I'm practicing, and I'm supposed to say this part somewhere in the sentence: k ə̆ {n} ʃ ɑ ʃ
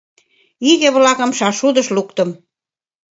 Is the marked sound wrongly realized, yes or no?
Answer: yes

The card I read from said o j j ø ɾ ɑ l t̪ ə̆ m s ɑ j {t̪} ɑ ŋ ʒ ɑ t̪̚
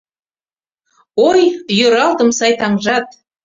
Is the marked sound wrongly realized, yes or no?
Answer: no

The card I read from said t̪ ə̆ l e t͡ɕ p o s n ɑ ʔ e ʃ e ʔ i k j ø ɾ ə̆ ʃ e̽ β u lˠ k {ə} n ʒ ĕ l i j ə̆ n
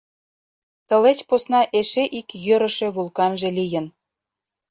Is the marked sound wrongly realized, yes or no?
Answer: yes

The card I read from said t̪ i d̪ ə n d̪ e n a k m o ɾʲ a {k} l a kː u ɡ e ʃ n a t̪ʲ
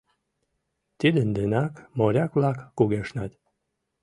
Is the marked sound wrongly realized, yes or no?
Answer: no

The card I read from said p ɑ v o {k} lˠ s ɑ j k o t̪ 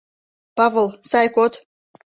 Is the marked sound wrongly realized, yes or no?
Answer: yes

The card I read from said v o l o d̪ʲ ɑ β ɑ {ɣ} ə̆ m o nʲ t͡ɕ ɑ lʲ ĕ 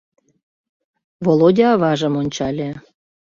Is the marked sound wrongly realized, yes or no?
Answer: yes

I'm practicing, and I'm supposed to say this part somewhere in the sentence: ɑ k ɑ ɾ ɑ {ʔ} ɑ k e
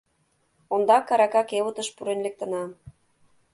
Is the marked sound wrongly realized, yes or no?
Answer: yes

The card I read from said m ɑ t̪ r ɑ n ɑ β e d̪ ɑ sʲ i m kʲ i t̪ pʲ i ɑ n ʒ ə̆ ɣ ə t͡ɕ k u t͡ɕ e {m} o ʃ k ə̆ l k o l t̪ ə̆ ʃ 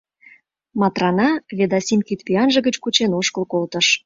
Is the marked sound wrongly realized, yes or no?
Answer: yes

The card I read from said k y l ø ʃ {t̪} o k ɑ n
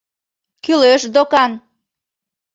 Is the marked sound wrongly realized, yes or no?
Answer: yes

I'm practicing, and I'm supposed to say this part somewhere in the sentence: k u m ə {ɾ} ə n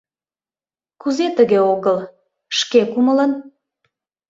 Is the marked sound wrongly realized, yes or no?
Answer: yes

